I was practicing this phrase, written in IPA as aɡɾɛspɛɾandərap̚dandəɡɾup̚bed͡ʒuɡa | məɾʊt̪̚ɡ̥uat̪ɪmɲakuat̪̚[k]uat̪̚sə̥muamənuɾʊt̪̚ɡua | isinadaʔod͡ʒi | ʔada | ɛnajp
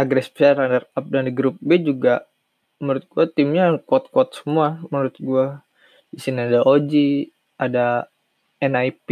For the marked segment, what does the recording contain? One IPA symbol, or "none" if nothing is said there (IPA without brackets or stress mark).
k